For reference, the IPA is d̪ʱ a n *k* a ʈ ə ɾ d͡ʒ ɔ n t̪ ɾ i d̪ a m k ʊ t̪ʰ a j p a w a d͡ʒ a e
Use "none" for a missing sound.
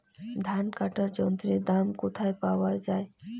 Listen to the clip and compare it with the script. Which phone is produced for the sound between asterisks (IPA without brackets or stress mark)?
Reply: k